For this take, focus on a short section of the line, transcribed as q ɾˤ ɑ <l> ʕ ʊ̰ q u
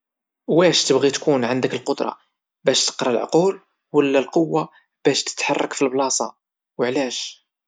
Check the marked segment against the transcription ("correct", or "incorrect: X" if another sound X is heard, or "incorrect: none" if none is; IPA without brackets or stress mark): correct